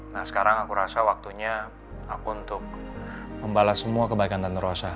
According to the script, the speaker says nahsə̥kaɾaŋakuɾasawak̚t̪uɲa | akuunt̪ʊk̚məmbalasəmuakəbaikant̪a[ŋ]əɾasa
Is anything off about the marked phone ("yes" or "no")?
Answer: yes